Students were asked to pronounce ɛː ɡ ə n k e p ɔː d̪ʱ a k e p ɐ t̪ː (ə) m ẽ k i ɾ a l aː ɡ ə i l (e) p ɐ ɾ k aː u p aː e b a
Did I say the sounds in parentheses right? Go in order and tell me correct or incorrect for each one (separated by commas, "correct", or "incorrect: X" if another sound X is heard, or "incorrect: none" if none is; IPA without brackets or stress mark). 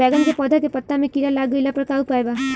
incorrect: a, incorrect: a